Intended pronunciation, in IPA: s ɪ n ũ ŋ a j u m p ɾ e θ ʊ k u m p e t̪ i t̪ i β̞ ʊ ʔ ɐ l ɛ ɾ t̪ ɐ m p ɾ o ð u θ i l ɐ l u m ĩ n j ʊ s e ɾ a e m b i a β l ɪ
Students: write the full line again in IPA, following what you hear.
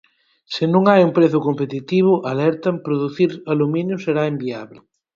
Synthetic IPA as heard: s ɪ n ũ ŋ a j u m p ɾ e θ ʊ k o m p e t̪ i t̪ i β̞ ʊ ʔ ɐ l ɛ ɾ t̪ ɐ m p ɾ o ð u θ i ɾ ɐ l u m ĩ n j ʊ s e ɾ a e m b i a β l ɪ

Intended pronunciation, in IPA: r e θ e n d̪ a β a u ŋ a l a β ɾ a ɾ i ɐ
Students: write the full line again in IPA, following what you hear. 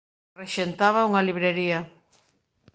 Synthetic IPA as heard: r e ʃ e n t̪ a β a u ŋ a l i β ɾ e ɾ i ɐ

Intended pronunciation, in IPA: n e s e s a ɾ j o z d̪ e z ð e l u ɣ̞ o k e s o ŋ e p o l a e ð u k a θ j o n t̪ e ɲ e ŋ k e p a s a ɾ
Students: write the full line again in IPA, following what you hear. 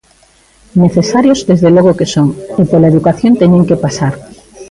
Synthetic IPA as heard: n e θ e s a ɾ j o z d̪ e z ð e l o ɣ̞ o k e s o ŋ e p o l a e ð u k a θ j o n t̪ e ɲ e ŋ k e p a s a ɾ

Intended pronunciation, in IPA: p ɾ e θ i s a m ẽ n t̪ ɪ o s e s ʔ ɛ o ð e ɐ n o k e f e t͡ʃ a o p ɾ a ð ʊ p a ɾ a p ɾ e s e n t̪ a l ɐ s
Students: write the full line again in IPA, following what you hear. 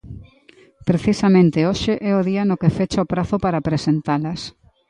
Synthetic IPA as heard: p ɾ e θ i s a m ẽ n t̪ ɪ o ʃ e ʔ ɛ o ð i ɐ n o k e f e t͡ʃ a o p ɾ a θ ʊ p a ɾ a p ɾ e s e n t̪ a l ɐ s

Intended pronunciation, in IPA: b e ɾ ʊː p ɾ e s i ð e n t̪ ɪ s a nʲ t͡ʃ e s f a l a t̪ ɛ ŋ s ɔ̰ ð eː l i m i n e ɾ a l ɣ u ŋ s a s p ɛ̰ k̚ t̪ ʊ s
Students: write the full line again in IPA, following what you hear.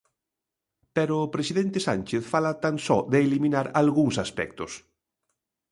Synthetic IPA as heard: p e ɾ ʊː p ɾ e s i ð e n t̪ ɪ s a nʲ t͡ʃ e θ f a l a t̪ a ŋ s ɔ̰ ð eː l i m i n a ɾ a l ɣ u ŋ s a s p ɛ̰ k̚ t̪ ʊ s

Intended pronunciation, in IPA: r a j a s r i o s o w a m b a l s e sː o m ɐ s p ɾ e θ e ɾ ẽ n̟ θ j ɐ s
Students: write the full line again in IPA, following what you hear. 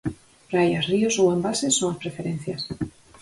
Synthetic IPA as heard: r a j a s r i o s o w a m b a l s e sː o ŋ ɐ s p ɾ e f e ɾ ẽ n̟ θ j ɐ s

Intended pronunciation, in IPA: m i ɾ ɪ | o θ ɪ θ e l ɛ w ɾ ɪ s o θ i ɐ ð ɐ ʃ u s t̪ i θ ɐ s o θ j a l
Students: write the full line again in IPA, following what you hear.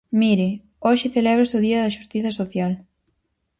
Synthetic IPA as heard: m i ɾ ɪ | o ʃ ɪ θ e l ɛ β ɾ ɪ s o ð i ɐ ð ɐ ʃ u s t̪ i θ ɐ s o θ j a l

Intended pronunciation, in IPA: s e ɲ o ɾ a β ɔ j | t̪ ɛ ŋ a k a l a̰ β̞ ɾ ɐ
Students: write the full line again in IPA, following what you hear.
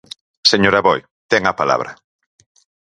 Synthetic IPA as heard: s e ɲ o ɾ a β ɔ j | t̪ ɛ ŋ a p a l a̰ β̞ ɾ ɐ

